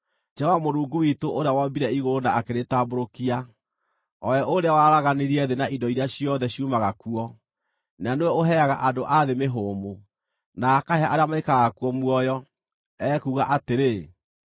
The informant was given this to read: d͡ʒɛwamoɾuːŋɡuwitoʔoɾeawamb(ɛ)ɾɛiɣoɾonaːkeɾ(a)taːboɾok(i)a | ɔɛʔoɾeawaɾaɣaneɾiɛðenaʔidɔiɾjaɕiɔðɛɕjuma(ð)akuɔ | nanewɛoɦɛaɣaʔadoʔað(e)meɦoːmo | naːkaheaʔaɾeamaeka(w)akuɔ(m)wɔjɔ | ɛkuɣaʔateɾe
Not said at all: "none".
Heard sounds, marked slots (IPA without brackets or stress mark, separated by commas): i, e, i, ɣ, e, ɣ, m